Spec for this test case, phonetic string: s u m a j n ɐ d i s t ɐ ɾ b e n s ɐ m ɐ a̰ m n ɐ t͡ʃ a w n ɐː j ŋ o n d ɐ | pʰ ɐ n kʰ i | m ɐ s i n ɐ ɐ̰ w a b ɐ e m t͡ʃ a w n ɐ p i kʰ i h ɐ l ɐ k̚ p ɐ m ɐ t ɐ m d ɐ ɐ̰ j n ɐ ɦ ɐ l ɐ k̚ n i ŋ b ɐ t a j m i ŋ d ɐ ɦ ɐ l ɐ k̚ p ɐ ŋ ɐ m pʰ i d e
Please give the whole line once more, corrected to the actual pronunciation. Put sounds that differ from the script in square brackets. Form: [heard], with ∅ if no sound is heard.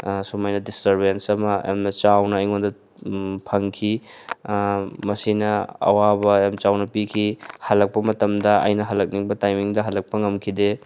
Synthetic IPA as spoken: s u m a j n ɐ d i s t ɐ ɾ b e n s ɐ m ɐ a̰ m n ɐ t͡ʃ a w n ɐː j ŋ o n d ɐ | pʰ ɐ [ŋ] kʰ i | m ɐ s i n ɐ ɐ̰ w a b ɐ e m t͡ʃ a w n ɐ p i kʰ i h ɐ l ɐ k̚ p ɐ m ɐ t ɐ m d ɐ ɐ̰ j n ɐ ɦ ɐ l ɐ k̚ n i ŋ b ɐ t a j m i ŋ d ɐ ɦ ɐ l ɐ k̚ p ɐ ŋ ɐ m [kʰ] i d e